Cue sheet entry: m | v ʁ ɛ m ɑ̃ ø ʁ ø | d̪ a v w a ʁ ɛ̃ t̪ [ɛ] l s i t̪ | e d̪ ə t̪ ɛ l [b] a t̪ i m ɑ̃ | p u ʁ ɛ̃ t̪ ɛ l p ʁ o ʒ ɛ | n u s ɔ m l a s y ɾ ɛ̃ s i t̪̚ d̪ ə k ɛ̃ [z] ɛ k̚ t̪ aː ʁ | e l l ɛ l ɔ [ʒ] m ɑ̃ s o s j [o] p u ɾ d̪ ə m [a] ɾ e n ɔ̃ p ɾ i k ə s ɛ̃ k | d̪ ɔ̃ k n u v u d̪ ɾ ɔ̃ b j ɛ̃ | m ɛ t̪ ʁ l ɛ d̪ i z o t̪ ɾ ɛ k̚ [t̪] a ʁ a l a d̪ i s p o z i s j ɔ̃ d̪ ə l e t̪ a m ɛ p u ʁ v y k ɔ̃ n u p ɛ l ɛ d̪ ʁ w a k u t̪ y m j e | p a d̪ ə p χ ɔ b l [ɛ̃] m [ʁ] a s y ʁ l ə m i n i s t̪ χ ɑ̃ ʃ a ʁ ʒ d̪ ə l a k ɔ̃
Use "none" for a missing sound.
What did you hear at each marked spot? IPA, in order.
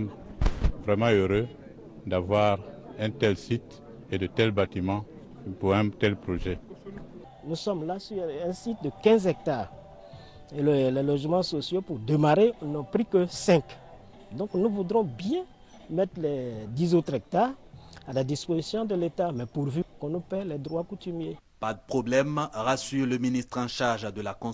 ɛ, b, z, ʒ, o, a, t̪, ɛ, ʁ

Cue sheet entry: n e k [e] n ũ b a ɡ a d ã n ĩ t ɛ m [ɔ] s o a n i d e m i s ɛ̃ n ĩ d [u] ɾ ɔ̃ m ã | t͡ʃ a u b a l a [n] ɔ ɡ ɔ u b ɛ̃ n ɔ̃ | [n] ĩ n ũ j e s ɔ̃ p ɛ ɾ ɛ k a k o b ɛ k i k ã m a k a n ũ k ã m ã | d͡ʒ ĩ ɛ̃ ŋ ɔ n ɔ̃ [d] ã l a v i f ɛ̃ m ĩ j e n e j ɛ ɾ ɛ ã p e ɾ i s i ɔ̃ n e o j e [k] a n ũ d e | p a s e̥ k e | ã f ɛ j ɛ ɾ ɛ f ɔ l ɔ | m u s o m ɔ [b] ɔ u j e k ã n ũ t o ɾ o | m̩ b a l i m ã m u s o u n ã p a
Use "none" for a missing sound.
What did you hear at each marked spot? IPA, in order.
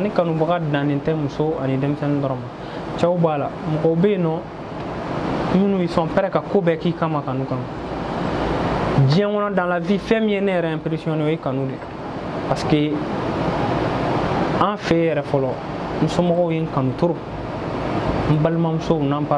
a, u, ɔ, m, m, d, k, ɡ

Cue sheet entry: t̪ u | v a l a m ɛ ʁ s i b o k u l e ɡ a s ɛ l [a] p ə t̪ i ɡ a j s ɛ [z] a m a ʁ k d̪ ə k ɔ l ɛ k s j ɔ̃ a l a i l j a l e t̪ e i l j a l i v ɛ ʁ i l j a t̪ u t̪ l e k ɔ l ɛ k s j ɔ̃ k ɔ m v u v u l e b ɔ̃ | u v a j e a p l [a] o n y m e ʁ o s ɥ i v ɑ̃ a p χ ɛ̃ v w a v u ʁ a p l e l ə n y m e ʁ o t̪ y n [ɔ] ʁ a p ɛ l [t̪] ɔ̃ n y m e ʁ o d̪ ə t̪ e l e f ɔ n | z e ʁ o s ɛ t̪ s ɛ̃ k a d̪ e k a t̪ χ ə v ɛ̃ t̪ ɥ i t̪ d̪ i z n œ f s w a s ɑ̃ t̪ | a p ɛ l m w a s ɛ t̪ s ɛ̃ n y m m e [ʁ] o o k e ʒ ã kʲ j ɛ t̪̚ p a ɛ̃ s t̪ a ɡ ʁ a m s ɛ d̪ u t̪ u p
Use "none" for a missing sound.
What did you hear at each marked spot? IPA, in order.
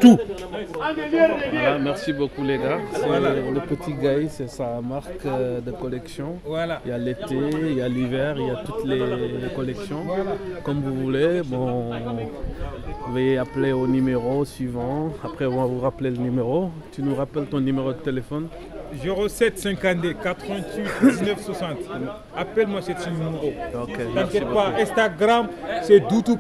ə, s, e, u, t̪, ʁ

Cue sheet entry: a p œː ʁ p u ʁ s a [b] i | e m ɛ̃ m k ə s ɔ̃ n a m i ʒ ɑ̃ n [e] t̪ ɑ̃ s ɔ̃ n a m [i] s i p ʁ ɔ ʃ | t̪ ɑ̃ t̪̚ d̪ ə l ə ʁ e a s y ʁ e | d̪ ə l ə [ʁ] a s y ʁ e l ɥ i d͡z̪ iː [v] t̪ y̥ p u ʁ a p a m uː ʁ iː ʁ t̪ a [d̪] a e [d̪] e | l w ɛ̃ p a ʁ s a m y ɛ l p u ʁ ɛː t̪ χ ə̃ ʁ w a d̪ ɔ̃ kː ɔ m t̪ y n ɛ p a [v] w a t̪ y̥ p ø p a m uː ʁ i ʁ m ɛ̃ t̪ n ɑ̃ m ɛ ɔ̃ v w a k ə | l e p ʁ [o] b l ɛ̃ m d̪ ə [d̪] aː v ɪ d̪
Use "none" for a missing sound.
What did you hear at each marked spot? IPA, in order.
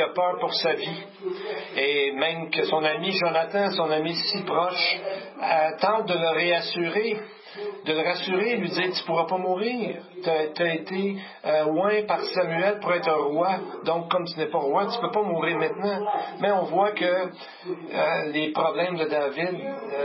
v, a, i, ʁ, ʁ, t̪, t̪, ʁ, ɔ, d̪

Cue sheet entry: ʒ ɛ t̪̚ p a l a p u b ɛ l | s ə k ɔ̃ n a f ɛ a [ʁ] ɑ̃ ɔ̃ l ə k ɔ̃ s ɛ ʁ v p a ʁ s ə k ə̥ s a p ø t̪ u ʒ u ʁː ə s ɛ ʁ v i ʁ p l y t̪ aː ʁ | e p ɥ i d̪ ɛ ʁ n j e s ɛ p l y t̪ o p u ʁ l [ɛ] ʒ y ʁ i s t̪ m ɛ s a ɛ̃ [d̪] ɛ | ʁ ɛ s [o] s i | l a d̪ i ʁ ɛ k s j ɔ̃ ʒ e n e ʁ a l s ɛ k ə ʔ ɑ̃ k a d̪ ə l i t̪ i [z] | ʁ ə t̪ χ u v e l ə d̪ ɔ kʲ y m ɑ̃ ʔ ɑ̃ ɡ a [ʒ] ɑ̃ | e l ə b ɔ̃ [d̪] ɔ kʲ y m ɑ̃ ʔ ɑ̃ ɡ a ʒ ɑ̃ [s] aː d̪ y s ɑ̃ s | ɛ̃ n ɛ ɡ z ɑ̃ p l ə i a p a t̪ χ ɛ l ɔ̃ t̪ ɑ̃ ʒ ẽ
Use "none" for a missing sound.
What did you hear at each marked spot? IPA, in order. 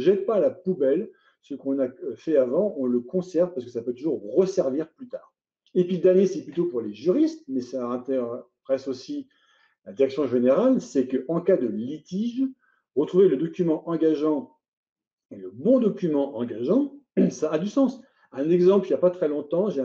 v, e, t̪, o, ʒ, ʒ, d̪, s

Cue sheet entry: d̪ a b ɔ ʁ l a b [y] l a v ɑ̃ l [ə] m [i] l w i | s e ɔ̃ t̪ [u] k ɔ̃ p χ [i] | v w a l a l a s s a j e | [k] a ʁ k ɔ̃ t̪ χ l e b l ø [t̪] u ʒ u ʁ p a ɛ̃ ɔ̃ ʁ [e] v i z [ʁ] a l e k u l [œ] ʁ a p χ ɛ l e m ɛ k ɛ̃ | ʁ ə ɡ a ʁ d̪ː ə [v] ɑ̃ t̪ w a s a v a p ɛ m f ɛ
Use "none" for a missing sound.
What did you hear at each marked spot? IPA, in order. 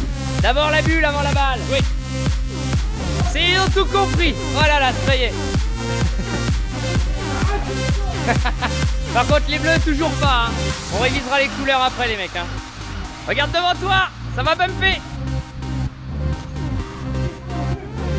y, a, a, u, i, p, t̪, e, ʁ, œ, v

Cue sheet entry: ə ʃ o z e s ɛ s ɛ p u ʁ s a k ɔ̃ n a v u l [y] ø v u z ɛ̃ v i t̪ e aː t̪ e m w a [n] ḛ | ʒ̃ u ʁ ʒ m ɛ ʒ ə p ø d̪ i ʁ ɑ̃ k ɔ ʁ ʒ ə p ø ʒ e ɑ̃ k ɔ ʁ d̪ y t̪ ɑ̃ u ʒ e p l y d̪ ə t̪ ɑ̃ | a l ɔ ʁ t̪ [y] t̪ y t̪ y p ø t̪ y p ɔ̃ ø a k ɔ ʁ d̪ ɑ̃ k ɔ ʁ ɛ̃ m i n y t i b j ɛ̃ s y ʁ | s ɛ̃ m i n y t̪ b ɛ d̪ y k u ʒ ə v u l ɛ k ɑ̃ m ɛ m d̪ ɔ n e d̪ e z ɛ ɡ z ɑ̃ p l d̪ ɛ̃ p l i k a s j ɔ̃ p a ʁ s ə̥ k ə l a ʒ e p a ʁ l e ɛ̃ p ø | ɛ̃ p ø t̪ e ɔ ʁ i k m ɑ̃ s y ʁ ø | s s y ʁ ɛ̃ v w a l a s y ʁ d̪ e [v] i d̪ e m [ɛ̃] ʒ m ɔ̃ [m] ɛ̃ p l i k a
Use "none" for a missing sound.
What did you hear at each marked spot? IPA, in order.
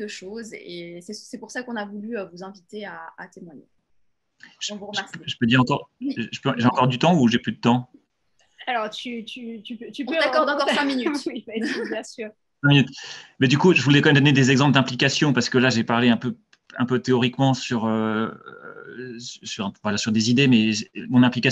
y, ɲ, y, z, ɛ, n

